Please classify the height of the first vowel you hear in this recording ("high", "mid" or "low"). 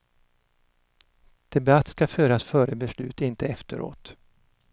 mid